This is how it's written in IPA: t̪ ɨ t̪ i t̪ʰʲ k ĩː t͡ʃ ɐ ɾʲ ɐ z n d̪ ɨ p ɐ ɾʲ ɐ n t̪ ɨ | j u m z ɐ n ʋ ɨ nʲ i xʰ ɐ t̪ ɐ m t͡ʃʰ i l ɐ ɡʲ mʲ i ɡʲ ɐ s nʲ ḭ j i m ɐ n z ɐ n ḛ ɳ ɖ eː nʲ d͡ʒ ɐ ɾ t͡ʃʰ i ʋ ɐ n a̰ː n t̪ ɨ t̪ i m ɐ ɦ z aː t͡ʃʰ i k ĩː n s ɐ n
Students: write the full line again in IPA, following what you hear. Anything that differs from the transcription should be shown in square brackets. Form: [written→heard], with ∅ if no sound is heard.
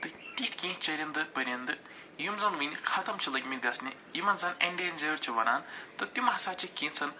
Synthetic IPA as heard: t̪ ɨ t̪ i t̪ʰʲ k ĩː t͡ʃ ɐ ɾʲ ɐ [z→∅] n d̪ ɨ p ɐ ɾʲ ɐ n [t̪→d̪] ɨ | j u m z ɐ n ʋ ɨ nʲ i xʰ ɐ t̪ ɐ m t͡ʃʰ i l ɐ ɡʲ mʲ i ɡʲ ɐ s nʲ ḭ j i m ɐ n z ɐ n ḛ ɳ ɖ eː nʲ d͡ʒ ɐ ɾ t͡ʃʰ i ʋ ɐ n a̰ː n t̪ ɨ t̪ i m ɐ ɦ [z→s] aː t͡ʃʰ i k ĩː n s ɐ n

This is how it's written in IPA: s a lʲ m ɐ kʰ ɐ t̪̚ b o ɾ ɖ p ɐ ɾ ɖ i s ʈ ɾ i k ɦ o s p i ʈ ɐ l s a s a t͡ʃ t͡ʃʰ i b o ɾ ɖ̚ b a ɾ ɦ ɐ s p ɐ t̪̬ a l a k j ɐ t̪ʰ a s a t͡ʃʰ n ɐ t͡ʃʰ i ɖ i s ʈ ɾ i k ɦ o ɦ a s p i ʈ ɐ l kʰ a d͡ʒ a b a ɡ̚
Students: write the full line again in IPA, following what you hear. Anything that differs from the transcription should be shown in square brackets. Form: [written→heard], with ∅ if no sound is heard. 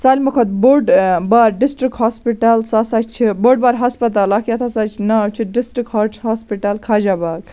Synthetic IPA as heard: s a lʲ m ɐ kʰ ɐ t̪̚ b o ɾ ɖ [p→b] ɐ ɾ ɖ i s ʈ ɾ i k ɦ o s p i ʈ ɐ l s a s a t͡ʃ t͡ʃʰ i b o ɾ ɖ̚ b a ɾ ɦ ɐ s p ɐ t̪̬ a l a k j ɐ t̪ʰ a s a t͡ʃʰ n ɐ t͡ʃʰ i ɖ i s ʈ ɾ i k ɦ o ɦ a s p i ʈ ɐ l kʰ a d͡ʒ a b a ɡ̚

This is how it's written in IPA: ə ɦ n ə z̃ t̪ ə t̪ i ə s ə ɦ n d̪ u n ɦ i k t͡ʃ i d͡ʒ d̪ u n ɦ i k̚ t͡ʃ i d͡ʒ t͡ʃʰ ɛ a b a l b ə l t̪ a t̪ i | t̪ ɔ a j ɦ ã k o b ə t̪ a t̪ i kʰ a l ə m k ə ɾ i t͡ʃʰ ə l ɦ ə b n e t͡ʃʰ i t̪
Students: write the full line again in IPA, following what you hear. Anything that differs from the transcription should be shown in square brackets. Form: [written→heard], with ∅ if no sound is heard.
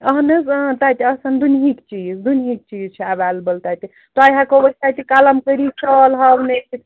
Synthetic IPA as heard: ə ɦ n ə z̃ t̪ [ə→a] t̪ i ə s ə [ɦ→∅] n d̪ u n ɦ i k t͡ʃ i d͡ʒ d̪ u n ɦ i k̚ t͡ʃ i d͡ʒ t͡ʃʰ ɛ a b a l b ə l t̪ a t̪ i | t̪ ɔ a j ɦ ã k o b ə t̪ a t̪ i [kʰ→k] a l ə m k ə ɾ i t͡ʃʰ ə l ɦ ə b n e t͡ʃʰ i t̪

